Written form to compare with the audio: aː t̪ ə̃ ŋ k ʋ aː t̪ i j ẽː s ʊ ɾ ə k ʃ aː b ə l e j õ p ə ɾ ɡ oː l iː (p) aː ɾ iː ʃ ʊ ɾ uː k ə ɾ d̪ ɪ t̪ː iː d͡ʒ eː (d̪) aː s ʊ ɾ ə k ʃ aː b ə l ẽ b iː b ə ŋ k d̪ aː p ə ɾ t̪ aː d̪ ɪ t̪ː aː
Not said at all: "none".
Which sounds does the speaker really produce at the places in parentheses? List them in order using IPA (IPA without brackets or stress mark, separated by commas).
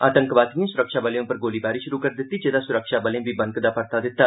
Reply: b, d̪